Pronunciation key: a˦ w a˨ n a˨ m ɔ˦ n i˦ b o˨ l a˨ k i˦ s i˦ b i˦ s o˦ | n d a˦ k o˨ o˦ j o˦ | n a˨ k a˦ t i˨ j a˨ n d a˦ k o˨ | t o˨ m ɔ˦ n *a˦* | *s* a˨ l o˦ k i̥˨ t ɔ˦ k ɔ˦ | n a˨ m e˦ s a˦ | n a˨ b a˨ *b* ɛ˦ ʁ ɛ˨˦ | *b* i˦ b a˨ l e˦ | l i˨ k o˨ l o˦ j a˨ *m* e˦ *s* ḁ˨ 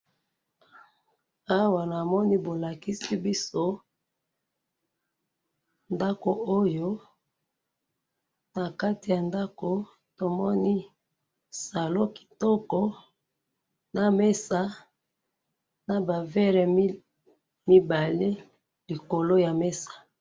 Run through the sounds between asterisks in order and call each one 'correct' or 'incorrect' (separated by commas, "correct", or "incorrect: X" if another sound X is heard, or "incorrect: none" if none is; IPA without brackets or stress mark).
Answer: incorrect: i˦, correct, incorrect: v, incorrect: m, correct, correct